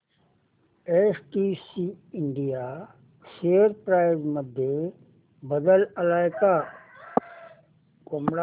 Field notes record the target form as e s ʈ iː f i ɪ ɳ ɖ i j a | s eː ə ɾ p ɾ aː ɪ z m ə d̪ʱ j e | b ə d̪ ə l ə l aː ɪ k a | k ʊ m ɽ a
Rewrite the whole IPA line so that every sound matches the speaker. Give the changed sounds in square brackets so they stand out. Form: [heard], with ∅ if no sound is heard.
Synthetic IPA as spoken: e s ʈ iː [s] i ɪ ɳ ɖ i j a | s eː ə ɾ p ɾ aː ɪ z m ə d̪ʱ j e | b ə d̪ ə l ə l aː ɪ k a | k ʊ m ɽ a